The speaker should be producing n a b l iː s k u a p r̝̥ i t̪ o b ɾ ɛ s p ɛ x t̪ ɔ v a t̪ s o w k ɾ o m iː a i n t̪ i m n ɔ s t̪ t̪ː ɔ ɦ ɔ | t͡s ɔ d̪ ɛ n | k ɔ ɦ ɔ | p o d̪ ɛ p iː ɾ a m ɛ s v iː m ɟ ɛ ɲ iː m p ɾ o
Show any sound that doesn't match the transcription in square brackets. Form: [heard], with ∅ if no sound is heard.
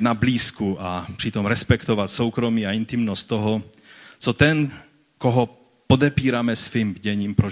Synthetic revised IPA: n a b l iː s k u a p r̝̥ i t̪ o [m] ɾ ɛ s p ɛ [k] t̪ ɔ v a t̪ s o w k ɾ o m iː a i n t̪ i m n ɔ s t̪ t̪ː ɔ ɦ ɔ | t͡s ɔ [t̪] ɛ n | k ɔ ɦ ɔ | p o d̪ ɛ p iː ɾ a m ɛ s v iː m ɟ ɛ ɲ iː m p ɾ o